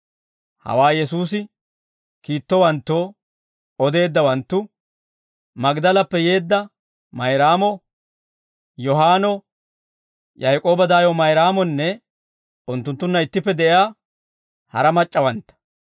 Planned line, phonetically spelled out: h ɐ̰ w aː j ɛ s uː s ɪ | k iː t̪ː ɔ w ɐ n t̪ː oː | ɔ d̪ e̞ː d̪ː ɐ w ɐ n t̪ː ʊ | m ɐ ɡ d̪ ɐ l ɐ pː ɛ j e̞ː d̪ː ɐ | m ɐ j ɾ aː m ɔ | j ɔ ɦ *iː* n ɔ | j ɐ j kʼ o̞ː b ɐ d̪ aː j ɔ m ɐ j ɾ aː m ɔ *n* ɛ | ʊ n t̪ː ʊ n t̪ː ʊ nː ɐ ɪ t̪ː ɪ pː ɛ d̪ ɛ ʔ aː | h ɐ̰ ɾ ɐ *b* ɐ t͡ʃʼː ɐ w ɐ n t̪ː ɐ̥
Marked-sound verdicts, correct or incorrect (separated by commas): incorrect, incorrect, incorrect